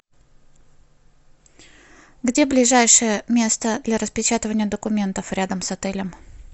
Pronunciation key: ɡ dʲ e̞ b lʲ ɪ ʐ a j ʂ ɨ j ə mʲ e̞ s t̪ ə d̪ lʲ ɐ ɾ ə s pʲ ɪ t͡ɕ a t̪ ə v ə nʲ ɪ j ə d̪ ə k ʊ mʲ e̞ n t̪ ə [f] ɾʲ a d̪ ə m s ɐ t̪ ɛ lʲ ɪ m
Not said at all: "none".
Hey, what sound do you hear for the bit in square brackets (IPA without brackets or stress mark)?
f